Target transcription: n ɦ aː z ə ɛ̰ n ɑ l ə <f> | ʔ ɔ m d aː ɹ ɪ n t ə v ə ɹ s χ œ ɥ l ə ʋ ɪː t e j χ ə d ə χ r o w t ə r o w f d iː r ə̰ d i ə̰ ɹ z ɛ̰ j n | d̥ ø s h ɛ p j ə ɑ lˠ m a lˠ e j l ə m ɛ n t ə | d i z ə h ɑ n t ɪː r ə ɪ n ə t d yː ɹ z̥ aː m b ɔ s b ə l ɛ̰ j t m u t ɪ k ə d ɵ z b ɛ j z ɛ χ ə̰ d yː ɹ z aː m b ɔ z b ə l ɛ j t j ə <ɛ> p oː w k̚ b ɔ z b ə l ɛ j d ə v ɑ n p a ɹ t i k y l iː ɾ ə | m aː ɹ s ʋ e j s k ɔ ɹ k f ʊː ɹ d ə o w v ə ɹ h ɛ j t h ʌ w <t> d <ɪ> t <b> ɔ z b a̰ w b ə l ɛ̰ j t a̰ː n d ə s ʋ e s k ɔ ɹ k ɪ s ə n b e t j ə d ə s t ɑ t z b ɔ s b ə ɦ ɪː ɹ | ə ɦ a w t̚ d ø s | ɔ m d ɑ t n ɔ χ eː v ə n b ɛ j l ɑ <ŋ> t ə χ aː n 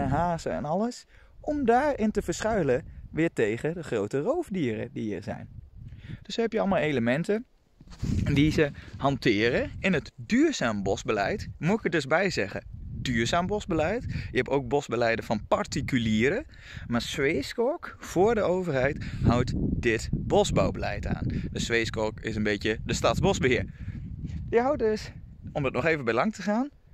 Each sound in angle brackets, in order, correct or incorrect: incorrect: s, correct, correct, correct, correct, correct

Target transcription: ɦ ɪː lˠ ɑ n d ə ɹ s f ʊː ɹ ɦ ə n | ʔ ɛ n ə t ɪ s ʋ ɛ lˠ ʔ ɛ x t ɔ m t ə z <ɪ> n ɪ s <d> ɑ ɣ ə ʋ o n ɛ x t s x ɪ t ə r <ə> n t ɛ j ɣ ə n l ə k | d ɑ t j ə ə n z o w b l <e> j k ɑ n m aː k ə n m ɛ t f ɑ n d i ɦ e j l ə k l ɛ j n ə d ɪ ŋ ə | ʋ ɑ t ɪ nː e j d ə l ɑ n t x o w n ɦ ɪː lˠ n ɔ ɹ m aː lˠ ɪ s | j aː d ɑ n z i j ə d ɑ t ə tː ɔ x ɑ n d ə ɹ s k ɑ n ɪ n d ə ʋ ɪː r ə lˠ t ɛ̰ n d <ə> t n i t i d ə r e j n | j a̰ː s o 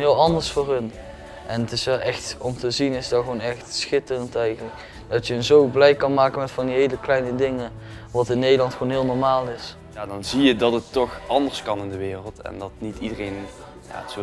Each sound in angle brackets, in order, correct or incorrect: incorrect: i, correct, correct, incorrect: ɛ, incorrect: ɑ

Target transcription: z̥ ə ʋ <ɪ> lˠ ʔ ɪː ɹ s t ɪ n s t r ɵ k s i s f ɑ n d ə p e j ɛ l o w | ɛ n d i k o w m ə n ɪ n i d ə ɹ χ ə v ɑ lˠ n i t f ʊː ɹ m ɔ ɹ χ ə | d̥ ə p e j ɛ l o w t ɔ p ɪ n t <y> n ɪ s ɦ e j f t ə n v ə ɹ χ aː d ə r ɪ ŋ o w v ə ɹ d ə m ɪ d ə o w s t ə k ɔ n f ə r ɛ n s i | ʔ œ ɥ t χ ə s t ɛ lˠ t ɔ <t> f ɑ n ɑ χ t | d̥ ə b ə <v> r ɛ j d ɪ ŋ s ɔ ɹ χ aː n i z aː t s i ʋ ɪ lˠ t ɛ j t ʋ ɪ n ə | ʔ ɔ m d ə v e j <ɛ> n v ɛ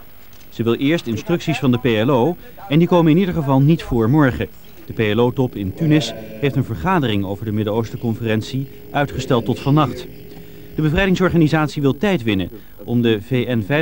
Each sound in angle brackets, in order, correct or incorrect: correct, correct, correct, correct, correct

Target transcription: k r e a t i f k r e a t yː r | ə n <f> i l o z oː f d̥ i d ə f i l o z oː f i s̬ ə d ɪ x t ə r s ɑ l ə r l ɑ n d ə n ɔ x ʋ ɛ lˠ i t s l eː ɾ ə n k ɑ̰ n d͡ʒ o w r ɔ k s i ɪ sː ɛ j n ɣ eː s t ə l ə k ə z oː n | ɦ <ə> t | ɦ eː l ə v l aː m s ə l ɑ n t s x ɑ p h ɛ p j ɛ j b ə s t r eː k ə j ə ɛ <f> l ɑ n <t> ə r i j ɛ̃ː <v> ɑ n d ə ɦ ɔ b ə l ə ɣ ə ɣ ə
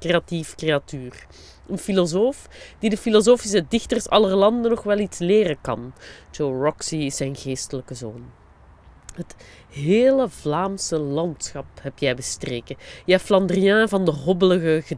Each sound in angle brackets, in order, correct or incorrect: correct, correct, correct, incorrect: d, correct

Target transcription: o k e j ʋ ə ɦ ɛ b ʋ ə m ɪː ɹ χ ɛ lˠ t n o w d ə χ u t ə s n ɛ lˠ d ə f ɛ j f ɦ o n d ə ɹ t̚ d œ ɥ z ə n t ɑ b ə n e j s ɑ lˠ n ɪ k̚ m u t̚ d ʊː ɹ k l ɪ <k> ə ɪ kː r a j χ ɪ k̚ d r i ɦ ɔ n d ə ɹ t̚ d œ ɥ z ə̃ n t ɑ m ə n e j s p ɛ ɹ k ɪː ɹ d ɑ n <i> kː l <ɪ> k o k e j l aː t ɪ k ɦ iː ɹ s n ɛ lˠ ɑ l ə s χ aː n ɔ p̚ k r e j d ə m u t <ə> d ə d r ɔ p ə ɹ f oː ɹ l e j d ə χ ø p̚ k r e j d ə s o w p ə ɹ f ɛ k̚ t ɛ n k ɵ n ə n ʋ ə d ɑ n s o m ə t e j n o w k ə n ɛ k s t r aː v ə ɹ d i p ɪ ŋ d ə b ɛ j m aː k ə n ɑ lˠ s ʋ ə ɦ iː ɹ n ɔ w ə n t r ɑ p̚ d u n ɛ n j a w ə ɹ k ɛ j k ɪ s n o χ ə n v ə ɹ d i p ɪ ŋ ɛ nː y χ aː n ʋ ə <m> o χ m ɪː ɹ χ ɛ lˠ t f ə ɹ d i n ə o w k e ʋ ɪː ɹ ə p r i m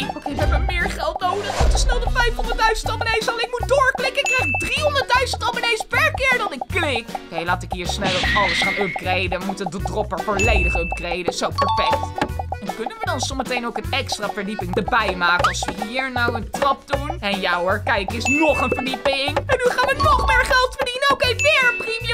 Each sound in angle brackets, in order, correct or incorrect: correct, incorrect: ɪ, correct, correct, incorrect: n

